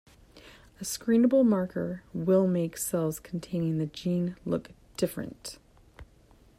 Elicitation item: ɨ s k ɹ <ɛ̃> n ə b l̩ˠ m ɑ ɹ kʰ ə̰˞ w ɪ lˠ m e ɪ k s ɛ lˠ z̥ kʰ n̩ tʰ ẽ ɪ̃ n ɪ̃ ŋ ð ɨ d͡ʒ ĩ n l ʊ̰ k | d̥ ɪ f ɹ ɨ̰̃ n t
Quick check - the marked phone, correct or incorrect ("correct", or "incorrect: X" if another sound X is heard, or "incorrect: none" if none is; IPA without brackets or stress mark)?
incorrect: ĩ